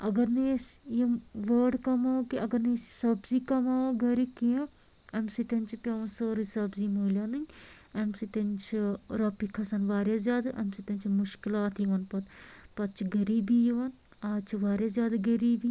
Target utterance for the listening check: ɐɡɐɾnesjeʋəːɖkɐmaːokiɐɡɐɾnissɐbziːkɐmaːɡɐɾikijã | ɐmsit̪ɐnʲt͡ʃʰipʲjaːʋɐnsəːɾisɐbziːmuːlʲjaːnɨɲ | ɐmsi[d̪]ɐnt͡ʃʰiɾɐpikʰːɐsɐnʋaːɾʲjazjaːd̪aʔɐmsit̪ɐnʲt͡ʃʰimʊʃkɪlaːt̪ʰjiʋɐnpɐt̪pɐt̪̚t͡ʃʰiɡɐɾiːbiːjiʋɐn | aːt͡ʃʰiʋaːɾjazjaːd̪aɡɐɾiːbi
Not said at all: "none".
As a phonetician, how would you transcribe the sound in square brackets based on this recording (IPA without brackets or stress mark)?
t̪